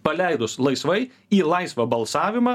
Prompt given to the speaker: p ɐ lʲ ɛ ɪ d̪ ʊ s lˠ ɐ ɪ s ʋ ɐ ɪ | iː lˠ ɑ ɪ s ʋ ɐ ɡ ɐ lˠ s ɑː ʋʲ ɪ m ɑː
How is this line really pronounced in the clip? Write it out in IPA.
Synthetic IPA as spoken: p ɐ lʲ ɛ ɪ d̪ ʊ s lˠ ɐ ɪ s ʋ ɐ ɪ | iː lˠ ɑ ɪ s ʋ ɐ b ɐ lˠ s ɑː ʋʲ ɪ m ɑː